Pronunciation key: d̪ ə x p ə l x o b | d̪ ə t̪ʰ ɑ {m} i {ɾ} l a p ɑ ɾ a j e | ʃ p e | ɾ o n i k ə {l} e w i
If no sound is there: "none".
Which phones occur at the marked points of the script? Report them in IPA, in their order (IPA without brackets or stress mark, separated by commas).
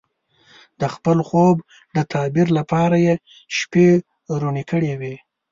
b, ɾ, ɽ